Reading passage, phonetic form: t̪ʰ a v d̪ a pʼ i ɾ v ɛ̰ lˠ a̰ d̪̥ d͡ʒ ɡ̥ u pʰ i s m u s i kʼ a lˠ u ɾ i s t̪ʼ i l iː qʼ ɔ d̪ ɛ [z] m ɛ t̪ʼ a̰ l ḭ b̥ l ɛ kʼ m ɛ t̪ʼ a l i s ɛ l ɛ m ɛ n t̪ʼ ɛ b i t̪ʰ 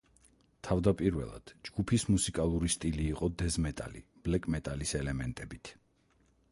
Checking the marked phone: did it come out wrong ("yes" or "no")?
no